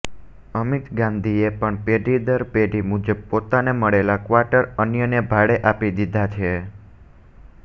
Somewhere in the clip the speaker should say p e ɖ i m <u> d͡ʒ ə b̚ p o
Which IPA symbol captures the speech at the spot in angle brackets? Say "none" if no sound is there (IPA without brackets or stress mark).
u